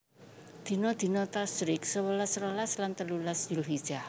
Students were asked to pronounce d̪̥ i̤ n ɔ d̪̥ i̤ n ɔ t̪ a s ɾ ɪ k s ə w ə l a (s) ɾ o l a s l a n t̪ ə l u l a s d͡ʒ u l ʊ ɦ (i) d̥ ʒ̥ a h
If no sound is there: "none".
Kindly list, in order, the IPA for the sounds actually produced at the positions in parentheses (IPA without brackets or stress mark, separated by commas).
s, i